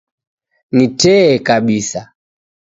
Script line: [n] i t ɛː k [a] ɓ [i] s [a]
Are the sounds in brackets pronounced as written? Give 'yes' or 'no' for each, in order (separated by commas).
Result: yes, yes, yes, yes